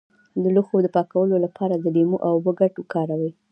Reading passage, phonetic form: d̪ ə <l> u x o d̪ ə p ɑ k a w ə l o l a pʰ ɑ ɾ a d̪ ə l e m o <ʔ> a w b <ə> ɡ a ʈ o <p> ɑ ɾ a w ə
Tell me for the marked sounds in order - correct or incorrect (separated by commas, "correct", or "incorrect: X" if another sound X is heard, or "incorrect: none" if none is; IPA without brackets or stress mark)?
correct, correct, correct, incorrect: k